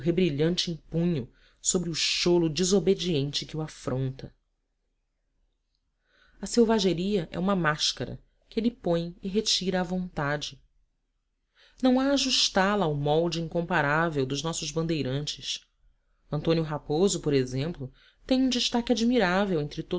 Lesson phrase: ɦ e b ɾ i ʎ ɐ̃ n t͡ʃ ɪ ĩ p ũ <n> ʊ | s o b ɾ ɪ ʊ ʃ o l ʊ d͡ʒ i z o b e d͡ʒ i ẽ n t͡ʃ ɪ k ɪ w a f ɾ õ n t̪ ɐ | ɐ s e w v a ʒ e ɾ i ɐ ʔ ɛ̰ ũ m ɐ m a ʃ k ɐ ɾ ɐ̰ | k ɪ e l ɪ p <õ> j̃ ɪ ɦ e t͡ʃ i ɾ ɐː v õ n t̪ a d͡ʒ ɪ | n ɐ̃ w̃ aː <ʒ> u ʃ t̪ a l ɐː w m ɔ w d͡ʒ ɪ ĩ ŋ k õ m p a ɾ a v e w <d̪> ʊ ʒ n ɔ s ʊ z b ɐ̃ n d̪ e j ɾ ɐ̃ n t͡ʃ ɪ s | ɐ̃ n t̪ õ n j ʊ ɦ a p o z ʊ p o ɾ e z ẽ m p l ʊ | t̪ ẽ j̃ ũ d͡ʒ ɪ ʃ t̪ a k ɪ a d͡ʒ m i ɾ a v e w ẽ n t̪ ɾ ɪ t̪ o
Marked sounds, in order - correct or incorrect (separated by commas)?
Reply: incorrect, correct, correct, correct